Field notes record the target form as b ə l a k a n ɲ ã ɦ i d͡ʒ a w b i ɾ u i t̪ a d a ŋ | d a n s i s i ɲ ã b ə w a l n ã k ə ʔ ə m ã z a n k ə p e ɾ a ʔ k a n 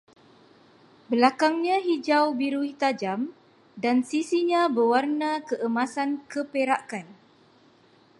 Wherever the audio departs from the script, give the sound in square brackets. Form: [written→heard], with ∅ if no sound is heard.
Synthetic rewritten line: b ə l a k a [n→ŋ] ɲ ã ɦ i d͡ʒ a w b i ɾ u i t̪ a [d→d͡ʒ] a [ŋ→m] | d a n s i s i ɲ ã b ə w a [l→r] n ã k ə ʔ ə m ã [z→s] a n k ə p e ɾ a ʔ k a n